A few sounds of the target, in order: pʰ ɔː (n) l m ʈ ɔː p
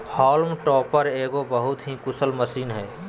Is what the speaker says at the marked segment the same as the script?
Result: no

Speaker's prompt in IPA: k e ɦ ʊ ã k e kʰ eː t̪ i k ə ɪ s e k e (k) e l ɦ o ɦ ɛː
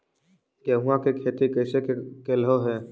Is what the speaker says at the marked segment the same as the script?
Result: yes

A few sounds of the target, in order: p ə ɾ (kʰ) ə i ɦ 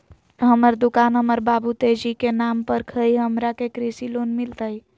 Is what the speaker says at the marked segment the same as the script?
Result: yes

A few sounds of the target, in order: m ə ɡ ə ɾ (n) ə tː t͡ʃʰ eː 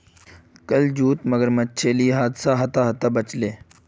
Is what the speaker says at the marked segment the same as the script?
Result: no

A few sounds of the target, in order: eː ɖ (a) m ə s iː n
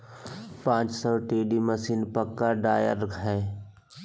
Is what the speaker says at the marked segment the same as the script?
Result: no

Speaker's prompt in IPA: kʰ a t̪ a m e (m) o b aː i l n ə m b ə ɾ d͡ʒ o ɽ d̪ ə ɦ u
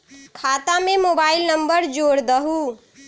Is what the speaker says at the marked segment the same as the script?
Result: yes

